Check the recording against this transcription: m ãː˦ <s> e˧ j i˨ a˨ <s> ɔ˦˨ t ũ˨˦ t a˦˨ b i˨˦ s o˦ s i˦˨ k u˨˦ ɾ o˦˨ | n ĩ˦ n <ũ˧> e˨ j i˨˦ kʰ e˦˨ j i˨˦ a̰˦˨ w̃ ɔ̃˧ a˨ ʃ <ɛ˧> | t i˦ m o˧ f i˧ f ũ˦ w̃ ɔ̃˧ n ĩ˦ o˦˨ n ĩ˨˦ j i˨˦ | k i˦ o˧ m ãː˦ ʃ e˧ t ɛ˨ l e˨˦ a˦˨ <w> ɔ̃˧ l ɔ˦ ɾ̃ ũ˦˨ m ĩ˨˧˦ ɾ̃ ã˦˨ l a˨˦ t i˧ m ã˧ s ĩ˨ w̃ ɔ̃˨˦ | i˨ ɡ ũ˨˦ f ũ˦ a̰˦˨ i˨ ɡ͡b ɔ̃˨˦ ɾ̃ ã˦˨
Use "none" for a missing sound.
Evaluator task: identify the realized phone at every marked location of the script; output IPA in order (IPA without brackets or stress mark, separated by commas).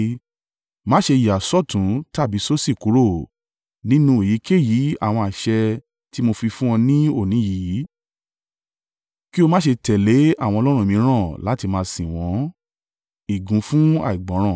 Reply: ʃ, s, ũ˧, ɛ˧, w